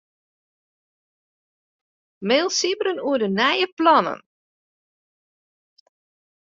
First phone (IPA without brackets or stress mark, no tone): m